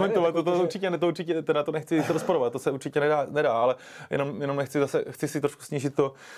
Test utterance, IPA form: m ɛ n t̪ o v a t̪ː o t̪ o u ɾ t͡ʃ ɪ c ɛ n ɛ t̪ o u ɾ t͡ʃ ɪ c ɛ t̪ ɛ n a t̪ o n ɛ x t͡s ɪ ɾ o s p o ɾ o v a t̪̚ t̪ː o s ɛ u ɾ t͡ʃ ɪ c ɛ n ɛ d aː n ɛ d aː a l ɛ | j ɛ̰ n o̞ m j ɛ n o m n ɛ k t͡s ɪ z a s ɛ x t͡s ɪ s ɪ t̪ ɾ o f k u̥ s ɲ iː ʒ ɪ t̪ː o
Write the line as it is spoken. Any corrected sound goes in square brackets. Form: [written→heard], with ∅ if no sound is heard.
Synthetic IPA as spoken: m ɛ n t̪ o v a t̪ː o t̪ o u ɾ t͡ʃ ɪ c ɛ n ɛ t̪ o u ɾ t͡ʃ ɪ c ɛ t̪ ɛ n a t̪ o n ɛ x t͡s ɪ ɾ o s p o ɾ o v a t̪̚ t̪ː o s ɛ u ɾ t͡ʃ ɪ c ɛ n ɛ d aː n ɛ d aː a l ɛ | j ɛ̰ n o̞ m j ɛ n o m n ɛ [k→x] t͡s ɪ z a s ɛ x t͡s ɪ s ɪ t̪ ɾ o [f→ʃ] k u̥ s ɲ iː ʒ ɪ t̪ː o